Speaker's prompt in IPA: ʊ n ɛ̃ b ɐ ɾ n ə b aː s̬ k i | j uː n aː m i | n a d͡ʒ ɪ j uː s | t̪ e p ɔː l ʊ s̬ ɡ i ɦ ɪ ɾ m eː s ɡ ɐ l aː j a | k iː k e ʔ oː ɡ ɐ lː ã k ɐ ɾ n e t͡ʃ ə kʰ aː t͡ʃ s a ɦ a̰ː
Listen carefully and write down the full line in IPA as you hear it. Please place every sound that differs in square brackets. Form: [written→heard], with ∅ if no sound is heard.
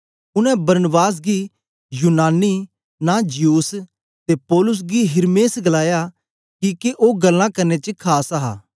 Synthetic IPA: ʊ n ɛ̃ b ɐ ɾ n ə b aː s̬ [k→ɡ] i | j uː n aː [m→n] i | n a d͡ʒ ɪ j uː s | t̪ e p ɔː l ʊ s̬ ɡ i ɦ ɪ ɾ m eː s ɡ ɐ l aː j a | k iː k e ʔ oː ɡ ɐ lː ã k ɐ ɾ n e t͡ʃ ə kʰ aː [t͡ʃ→∅] s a ɦ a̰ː

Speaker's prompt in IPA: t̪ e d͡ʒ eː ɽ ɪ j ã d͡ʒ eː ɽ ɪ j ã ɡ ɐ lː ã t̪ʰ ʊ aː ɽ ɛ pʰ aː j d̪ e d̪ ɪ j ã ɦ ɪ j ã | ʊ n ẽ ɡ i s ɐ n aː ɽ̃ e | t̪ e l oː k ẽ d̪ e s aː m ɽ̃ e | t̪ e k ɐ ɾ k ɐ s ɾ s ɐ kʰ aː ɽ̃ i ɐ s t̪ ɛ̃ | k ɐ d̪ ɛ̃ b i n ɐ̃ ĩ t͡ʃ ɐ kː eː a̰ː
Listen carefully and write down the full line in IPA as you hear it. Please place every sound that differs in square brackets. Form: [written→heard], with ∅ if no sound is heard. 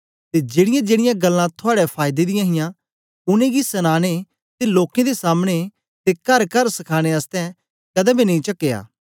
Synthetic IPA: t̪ e d͡ʒ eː ɽ ɪ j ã d͡ʒ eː ɽ ɪ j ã ɡ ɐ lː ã t̪ʰ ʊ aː ɽ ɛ pʰ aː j d̪ e d̪ ɪ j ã ɦ ɪ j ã | ʊ n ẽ ɡ i s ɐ n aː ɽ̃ e | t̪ e l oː k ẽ d̪ e s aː m ɽ̃ e | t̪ e k ɐ ɾ k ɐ [s→∅] ɾ s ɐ kʰ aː ɽ̃ [i→e] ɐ s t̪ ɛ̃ | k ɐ d̪ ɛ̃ b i n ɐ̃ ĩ t͡ʃ ɐ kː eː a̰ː

